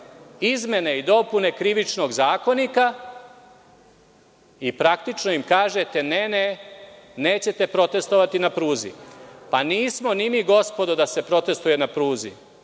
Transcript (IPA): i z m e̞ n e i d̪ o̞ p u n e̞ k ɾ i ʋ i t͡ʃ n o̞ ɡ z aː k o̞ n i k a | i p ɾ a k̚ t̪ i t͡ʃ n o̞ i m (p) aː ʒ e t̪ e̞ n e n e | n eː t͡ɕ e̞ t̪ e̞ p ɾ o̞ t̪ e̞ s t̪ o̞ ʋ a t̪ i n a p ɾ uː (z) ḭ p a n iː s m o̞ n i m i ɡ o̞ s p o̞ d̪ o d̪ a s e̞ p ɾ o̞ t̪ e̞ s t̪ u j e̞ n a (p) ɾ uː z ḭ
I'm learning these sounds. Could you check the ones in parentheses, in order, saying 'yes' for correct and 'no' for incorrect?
no, yes, yes

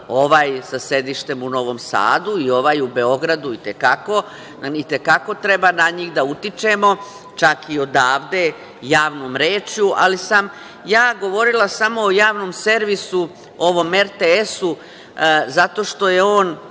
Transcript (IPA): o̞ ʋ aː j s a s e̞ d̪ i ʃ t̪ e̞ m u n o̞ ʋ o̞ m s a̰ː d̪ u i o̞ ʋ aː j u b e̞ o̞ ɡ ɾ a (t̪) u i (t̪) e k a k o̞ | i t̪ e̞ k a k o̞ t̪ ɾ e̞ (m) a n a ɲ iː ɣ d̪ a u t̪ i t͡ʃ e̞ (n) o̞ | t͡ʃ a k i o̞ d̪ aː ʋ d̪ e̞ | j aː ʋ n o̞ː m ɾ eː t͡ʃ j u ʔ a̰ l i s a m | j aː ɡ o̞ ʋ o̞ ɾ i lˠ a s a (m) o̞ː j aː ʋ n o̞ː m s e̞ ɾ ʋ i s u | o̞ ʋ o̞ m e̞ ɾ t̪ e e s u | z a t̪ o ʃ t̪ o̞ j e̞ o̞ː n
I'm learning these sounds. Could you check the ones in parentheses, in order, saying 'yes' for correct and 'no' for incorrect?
no, yes, no, no, yes

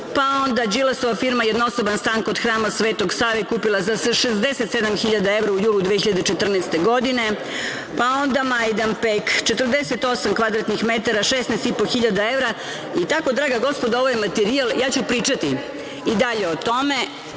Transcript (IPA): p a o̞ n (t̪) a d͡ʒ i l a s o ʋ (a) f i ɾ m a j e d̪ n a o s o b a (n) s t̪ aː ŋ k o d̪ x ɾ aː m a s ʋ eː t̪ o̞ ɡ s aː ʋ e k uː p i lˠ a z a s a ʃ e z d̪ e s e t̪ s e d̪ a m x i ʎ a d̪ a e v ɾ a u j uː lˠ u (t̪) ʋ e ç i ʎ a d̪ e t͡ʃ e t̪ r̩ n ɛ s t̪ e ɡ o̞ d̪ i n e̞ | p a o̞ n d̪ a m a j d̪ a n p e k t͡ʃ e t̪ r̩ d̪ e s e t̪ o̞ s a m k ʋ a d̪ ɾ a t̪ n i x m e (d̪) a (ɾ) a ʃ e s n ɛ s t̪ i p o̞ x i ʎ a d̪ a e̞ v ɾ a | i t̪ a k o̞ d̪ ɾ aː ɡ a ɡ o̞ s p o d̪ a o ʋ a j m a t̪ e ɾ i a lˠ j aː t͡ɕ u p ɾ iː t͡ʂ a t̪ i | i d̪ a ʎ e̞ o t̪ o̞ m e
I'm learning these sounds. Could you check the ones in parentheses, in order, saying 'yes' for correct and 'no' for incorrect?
no, yes, yes, no, no, yes

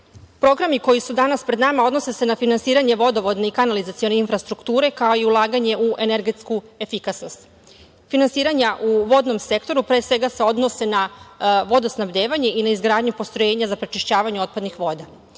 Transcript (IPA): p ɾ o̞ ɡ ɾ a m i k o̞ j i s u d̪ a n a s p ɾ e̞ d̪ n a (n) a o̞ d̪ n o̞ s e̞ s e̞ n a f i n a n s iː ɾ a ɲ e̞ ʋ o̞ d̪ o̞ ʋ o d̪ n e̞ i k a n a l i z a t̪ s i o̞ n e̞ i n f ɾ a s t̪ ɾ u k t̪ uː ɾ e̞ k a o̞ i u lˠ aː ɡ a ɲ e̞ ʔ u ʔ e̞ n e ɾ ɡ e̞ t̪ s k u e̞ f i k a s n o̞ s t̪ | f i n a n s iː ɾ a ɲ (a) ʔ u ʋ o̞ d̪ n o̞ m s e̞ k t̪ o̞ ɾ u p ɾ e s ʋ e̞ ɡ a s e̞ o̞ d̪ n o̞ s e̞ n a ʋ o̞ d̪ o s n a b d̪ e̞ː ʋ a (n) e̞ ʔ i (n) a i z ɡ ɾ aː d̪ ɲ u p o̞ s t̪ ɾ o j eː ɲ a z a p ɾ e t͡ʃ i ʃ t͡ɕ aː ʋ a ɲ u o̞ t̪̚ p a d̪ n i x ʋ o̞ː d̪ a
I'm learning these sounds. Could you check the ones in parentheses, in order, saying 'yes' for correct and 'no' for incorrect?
no, yes, no, yes

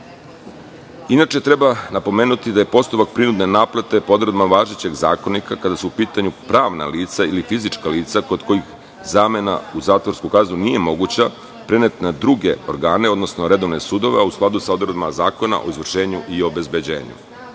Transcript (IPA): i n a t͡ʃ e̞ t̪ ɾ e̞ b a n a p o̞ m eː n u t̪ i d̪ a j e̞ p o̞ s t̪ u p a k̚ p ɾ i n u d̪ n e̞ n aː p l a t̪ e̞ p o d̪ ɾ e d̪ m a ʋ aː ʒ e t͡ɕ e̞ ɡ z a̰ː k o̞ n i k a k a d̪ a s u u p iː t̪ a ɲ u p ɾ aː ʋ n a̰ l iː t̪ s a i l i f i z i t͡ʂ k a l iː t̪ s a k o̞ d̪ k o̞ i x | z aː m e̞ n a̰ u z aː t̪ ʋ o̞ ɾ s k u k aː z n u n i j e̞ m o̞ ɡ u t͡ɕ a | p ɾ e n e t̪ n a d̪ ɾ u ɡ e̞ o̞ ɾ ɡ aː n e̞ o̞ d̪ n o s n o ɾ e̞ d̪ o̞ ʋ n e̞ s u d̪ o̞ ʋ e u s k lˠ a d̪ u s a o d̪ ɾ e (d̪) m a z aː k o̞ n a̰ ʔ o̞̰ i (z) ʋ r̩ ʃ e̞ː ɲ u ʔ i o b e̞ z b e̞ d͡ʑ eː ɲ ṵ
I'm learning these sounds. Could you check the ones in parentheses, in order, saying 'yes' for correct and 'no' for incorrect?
yes, yes

